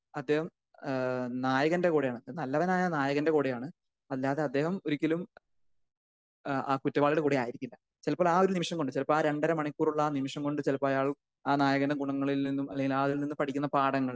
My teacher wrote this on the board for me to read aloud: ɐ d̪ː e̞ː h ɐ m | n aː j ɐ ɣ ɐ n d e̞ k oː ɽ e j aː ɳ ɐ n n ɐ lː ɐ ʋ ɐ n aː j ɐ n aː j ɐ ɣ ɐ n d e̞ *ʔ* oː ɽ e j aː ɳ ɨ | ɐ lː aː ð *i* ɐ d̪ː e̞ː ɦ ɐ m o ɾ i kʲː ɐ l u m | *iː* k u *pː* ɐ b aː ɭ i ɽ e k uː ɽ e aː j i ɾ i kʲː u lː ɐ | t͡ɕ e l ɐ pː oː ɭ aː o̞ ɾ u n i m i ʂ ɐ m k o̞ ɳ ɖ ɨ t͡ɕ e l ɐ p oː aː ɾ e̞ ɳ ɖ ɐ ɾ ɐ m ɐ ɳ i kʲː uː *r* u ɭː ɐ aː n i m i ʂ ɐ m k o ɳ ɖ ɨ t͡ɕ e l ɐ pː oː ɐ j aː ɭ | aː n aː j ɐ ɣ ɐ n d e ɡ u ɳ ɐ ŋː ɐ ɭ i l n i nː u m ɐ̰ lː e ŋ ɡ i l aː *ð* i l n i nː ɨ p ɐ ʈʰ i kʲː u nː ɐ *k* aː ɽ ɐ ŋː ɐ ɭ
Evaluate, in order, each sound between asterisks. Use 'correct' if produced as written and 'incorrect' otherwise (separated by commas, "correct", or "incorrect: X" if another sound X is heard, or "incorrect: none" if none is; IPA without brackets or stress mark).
incorrect: k, incorrect: e, incorrect: aː, incorrect: tː, correct, correct, incorrect: p